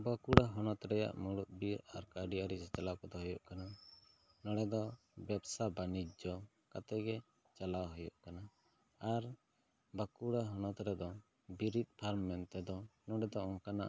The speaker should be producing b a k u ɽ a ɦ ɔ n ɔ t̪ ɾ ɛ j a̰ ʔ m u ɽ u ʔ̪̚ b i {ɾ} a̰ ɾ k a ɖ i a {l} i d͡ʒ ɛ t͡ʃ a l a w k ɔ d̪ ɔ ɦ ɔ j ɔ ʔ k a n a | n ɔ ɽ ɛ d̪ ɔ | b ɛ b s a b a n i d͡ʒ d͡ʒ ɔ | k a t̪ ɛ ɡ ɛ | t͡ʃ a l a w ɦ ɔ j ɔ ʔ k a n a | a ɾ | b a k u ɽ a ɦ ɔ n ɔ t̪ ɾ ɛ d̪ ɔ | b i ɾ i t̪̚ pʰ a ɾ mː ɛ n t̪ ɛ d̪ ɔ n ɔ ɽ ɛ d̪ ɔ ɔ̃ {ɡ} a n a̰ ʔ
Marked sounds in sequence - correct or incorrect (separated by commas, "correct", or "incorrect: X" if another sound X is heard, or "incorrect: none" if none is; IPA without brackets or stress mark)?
correct, incorrect: ɾ, incorrect: k